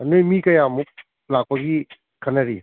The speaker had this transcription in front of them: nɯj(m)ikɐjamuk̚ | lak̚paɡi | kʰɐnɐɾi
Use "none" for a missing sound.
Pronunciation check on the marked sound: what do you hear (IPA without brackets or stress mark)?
m